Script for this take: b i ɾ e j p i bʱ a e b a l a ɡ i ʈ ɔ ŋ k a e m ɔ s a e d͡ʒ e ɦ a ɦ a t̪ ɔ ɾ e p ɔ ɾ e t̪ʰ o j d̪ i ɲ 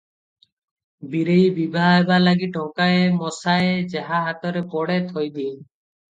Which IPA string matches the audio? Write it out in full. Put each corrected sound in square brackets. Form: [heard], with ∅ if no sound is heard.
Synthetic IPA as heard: b i ɾ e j [b] i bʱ a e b a l a ɡ i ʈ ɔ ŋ k a e m ɔ s a e d͡ʒ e ɦ a ɦ a t̪ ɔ ɾ e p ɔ [ɽ] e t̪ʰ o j d̪ i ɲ